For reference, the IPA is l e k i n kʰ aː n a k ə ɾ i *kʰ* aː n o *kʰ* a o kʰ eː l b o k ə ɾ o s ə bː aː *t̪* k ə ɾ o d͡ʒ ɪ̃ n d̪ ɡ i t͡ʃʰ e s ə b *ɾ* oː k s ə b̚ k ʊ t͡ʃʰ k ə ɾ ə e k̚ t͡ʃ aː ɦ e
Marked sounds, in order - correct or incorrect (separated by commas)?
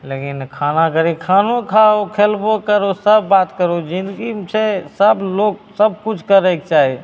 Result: correct, correct, correct, incorrect